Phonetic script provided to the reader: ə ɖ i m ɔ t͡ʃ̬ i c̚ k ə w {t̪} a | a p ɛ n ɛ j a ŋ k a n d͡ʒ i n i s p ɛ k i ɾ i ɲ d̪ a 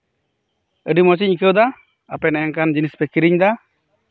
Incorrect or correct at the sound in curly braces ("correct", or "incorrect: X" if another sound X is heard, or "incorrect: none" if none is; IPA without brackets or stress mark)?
incorrect: d̪